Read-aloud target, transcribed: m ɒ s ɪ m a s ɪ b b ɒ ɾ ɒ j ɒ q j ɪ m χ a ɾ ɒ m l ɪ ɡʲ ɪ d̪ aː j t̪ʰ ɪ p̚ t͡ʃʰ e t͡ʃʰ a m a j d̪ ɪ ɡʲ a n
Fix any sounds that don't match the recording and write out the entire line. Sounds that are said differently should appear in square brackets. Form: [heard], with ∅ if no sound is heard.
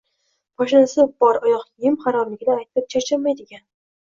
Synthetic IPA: m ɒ [ʃ] ɪ [n] a s ɪ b b ɒ ɾ ɒ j ɒ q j ɪ m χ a ɾ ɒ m l ɪ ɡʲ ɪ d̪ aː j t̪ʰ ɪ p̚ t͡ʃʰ [a] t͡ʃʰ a m a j d̪ ɪ ɡʲ a n